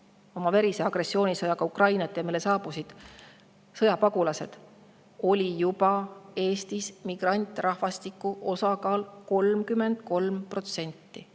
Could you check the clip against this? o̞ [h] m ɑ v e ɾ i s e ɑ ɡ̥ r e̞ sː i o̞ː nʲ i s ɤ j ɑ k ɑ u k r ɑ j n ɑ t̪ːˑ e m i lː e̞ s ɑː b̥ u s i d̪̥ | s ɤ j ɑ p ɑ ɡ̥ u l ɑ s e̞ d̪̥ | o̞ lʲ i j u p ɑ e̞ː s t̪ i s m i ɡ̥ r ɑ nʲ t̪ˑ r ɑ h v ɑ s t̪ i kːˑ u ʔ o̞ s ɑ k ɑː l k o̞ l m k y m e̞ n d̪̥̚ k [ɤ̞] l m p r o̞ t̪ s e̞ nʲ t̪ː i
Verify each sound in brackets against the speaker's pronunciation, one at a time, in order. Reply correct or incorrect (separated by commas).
incorrect, incorrect